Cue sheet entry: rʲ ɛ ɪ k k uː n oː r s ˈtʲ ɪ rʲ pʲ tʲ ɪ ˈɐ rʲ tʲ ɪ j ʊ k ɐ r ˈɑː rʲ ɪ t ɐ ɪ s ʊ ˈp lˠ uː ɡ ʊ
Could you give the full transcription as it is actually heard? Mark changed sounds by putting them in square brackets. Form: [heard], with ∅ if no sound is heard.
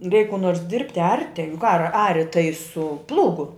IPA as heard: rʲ ɛ ɪ k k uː n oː r s [ˈdʲ] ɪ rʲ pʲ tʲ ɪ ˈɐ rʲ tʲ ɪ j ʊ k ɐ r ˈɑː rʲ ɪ t ɐ ɪ s ʊ ˈp lˠ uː ɡ ʊ